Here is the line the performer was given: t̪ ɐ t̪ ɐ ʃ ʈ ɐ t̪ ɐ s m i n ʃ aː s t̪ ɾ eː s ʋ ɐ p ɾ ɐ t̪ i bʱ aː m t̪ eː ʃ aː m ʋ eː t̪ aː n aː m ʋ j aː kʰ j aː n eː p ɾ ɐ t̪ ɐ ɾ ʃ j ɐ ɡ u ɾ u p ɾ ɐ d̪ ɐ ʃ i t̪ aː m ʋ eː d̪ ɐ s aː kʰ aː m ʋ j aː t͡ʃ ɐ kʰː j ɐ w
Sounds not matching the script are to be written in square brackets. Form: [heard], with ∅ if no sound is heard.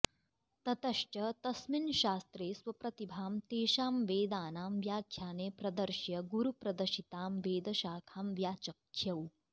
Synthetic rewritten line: t̪ ɐ t̪ ɐ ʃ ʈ ɐ t̪ ɐ s m i n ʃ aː s t̪ ɾ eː s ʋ ɐ p ɾ ɐ t̪ i bʱ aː m t̪ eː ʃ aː m ʋ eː [d̪] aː n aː m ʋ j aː kʰ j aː n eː p ɾ ɐ [d̪] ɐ ɾ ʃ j ɐ ɡ u ɾ u p ɾ ɐ d̪ ɐ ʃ i t̪ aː m ʋ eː d̪ ɐ [ʃ] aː kʰ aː m ʋ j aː t͡ʃ ɐ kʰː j ɐ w